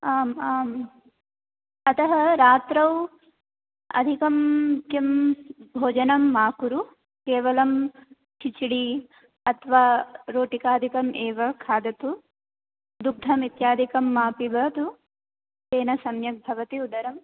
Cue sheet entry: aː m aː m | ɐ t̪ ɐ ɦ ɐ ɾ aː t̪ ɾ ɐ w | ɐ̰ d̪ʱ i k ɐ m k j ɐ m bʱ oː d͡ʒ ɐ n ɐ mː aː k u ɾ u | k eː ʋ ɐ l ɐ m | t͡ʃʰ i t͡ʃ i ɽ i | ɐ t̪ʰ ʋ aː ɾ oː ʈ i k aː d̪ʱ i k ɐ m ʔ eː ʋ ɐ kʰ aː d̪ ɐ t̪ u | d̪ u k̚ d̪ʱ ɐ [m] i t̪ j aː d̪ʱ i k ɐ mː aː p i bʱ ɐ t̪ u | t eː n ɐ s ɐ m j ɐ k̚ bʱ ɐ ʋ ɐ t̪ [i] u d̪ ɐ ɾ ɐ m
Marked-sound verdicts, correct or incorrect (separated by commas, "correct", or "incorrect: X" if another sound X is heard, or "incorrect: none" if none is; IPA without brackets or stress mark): correct, correct